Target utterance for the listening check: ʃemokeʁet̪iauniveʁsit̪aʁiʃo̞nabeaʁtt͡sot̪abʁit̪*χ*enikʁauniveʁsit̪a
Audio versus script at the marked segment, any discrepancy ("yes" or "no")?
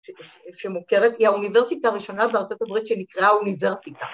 yes